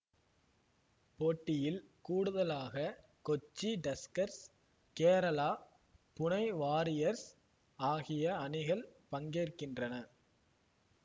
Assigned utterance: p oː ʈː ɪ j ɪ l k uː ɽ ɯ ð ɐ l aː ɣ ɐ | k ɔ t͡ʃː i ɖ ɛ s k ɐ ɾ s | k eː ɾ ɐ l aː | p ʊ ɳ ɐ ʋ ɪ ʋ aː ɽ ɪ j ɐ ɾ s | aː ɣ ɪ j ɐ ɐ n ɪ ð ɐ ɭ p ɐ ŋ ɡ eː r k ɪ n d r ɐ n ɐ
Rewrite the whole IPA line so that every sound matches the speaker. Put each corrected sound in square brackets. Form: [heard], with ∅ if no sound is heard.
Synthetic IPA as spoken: p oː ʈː ɪ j ɪ l k uː ɽ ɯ ð ɐ l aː ɣ ɐ | k ɔ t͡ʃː i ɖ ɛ s k ɐ ɾ s | k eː ɾ ɐ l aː | p ʊ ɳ ɐ [∅] ɪ ʋ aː [ɾ] ɪ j ɐ ɾ s | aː ɣ ɪ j ɐ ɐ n ɪ [ɣ] ɐ ɭ p ɐ ŋ ɡ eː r k ɪ n d r ɐ n ɐ